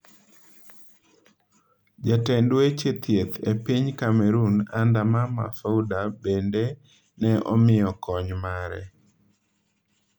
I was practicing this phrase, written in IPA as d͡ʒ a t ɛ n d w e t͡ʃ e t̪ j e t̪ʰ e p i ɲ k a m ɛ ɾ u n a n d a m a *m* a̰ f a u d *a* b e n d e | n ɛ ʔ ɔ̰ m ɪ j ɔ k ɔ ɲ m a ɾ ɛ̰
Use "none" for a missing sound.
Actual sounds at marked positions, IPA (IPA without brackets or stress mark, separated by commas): m, a